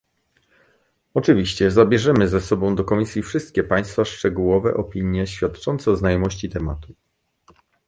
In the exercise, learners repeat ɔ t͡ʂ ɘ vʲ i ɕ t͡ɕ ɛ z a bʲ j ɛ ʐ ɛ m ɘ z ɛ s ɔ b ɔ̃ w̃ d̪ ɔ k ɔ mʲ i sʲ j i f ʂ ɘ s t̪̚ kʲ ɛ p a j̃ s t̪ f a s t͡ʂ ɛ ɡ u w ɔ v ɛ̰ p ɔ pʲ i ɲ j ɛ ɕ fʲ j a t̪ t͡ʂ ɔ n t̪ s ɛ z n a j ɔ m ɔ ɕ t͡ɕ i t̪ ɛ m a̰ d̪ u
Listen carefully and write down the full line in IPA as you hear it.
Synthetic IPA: ɔ t͡ʂ ɘ vʲ i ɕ t͡ɕ ɛ z a bʲ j ɛ ʐ ɛ m ɘ z ɛ s ɔ b ɔ̃ w̃ d̪ ɔ k ɔ mʲ i sʲ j i f ʂ ɘ s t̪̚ kʲ ɛ p a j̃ s t̪ f a ʂ t͡ʂ ɛ ɡ u w ɔ v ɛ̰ ʔ ɔ pʲ i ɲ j ɛ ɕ fʲ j a t̪ t͡ʂ ɔ n t̪ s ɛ z n a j ɔ m ɔ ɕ t͡ɕ i t̪ ɛ m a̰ t̪ u